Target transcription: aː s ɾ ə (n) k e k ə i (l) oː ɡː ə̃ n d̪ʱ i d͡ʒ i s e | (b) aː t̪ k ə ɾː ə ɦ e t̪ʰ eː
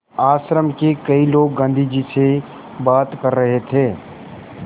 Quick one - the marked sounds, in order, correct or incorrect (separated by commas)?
incorrect, correct, correct